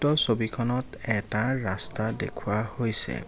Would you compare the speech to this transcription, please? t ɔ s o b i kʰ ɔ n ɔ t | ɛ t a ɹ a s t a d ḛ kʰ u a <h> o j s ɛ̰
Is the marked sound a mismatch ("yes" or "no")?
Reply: no